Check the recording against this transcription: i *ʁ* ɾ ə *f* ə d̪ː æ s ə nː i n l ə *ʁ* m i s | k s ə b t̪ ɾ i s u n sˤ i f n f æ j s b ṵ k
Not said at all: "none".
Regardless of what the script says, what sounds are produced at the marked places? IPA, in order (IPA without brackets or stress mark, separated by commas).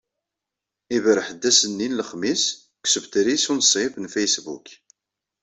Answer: v, ħ, χ